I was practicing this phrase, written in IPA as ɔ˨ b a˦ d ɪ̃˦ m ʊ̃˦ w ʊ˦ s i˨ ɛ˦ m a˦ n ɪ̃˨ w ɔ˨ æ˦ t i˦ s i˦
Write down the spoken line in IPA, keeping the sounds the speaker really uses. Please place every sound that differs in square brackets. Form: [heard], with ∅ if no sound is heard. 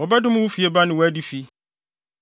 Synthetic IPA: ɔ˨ b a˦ d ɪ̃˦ m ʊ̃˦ w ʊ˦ [f] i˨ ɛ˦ [b] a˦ n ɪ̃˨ w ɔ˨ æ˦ [d] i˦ [f] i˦